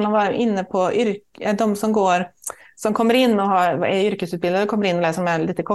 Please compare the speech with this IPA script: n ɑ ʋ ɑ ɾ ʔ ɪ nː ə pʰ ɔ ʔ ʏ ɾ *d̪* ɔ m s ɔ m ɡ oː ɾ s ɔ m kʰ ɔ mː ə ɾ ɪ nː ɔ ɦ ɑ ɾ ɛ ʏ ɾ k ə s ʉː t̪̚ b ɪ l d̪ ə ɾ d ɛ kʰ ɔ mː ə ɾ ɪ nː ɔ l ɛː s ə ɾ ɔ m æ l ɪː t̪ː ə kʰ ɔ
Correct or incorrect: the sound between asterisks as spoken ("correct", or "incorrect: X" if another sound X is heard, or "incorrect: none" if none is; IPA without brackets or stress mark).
correct